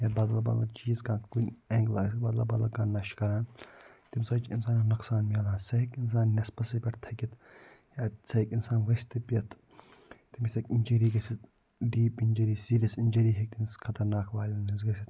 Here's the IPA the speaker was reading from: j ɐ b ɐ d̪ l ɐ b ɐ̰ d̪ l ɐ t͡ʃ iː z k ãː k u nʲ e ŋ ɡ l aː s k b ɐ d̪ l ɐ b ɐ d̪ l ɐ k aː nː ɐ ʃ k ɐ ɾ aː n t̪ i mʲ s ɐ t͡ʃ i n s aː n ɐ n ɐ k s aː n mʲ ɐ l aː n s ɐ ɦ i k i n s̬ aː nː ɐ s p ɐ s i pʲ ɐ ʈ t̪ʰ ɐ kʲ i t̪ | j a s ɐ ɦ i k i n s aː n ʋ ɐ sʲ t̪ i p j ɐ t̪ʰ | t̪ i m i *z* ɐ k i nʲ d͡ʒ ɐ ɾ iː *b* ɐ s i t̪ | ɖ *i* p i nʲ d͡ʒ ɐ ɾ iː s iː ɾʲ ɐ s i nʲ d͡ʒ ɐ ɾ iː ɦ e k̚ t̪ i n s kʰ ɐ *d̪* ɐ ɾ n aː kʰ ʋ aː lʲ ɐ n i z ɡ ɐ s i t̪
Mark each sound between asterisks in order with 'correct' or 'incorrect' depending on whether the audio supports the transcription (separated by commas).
incorrect, incorrect, incorrect, incorrect